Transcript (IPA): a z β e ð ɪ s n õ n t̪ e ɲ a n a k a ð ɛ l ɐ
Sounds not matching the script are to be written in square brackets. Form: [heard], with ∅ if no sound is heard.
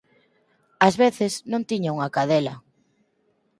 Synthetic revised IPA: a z β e [θ] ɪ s n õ n t̪ [i] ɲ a [ŋ] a k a ð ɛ l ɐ